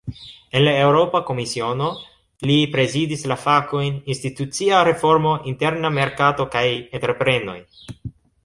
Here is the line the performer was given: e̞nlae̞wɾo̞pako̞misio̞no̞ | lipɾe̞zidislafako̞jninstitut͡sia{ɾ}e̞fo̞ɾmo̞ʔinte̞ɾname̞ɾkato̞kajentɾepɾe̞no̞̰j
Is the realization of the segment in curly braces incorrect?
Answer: no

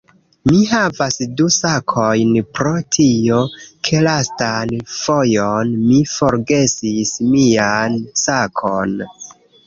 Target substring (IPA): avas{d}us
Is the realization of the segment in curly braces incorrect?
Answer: no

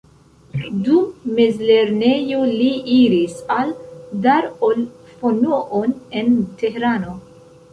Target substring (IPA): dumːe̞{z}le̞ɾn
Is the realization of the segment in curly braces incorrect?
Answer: no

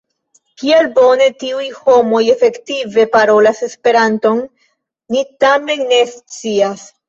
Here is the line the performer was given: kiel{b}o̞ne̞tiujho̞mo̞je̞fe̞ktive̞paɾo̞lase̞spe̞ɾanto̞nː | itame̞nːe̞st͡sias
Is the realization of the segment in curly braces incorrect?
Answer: no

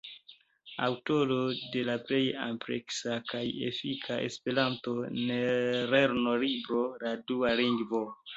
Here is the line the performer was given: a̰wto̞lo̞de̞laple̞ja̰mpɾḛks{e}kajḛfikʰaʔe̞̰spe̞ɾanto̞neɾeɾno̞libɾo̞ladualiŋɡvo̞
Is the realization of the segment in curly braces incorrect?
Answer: yes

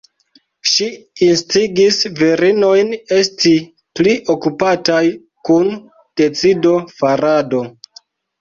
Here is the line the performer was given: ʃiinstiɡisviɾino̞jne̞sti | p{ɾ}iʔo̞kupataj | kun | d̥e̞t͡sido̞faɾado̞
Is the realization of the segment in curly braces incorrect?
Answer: yes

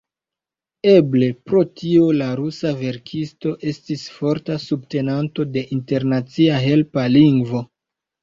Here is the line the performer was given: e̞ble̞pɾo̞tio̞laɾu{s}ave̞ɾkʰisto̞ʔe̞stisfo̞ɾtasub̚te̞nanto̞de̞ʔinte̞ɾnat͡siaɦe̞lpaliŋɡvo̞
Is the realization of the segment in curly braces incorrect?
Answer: no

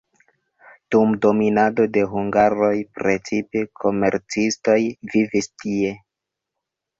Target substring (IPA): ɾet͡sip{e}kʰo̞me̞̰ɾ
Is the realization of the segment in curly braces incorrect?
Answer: no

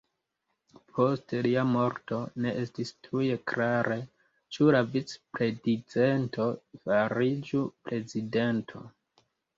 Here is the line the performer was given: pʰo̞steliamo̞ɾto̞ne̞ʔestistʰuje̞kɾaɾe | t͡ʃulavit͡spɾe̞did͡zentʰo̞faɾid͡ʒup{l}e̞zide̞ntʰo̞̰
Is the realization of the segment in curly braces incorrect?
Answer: yes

